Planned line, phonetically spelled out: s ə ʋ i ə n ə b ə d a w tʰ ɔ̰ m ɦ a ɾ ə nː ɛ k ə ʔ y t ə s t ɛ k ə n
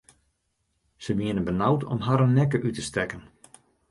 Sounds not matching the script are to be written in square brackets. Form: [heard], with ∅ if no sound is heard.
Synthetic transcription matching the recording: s ə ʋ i ə n ə b ə [n] a w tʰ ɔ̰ m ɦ a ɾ ə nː ɛ k ə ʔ y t ə s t ɛ k ə n